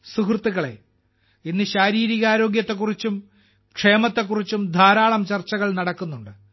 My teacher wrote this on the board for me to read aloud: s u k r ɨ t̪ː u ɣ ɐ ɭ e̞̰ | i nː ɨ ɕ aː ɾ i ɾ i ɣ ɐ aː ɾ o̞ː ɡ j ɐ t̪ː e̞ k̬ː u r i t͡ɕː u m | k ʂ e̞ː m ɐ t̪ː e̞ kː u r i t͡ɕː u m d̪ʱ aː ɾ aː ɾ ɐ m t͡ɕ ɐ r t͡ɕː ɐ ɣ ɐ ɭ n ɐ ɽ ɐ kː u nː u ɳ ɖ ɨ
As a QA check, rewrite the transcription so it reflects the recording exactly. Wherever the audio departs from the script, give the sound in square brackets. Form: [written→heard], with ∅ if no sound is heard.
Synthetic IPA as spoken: s u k r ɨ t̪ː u ɣ ɐ ɭ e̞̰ | i nː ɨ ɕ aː ɾ [i→iː] ɾ i ɣ ɐ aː ɾ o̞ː ɡ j ɐ t̪ː e̞ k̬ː u r i t͡ɕː u m | k ʂ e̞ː m ɐ t̪ː e̞ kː u r i t͡ɕː u m d̪ʱ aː ɾ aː [ɾ→ɭ] ɐ m t͡ɕ ɐ r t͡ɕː ɐ ɣ ɐ ɭ n ɐ ɽ ɐ kː u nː u ɳ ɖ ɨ

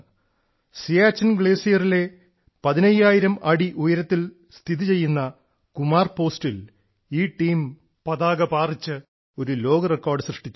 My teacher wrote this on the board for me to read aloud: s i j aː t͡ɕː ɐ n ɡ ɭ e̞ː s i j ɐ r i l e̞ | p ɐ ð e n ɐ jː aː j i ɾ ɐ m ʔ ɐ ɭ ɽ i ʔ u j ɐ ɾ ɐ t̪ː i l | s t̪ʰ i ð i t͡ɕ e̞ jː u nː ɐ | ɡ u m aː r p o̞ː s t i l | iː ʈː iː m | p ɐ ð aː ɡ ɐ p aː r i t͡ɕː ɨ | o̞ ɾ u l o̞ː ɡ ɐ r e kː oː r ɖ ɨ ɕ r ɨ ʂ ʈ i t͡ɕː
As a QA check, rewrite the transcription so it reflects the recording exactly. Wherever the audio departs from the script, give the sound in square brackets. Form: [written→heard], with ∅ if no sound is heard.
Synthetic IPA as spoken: s i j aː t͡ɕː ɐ n ɡ ɭ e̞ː s i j ɐ r i l e̞ | p ɐ ð [e→i] n ɐ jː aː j i ɾ ɐ m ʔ ɐ [ɭ→∅] ɽ i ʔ u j ɐ ɾ ɐ t̪ː i l | s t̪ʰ i ð i t͡ɕ e̞ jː u nː ɐ | [ɡ→k] u m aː r p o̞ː s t i l | iː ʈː iː m | p ɐ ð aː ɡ ɐ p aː r i t͡ɕː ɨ | o̞ ɾ u l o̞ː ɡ ɐ r e kː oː r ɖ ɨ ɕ r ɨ ʂ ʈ i t͡ɕː

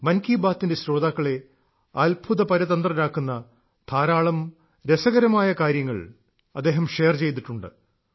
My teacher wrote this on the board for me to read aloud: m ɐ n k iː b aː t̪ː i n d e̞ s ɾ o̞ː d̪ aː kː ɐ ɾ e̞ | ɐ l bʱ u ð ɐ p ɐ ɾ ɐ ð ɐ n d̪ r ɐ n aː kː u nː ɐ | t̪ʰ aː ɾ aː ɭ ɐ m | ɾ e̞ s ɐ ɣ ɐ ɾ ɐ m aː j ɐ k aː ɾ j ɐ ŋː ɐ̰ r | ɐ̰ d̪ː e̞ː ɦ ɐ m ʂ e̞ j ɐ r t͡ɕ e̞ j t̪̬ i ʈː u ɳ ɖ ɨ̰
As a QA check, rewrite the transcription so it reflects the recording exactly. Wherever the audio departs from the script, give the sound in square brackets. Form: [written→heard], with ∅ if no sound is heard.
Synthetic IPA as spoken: m ɐ n k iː b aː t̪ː i n d e̞ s ɾ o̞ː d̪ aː kː ɐ [ɾ→ɭ] e̞ | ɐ l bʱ u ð ɐ p ɐ ɾ ɐ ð ɐ n d̪ r ɐ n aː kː u nː ɐ | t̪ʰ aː ɾ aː ɭ ɐ m | ɾ e̞ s ɐ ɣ ɐ ɾ ɐ m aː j ɐ k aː ɾ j ɐ ŋː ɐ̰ [r→ɭ] | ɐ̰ d̪ː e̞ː ɦ ɐ m ʂ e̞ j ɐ r t͡ɕ e̞ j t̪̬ i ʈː u ɳ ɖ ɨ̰

